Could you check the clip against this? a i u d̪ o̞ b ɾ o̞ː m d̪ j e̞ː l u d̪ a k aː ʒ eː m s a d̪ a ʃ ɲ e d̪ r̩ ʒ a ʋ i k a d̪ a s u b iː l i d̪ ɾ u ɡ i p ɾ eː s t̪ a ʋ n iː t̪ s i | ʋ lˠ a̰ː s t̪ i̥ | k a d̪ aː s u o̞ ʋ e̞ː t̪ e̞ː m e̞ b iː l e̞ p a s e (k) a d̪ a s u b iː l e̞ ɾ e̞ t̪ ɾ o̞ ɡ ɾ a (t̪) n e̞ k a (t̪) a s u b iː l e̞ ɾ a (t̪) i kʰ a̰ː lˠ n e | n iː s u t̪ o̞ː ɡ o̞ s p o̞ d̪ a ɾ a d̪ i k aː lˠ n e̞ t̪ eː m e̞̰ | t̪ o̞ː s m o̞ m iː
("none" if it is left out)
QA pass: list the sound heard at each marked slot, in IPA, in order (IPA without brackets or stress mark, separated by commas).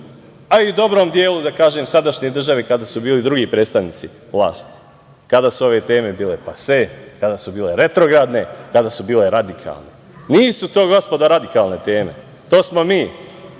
k, d̪, d̪, d̪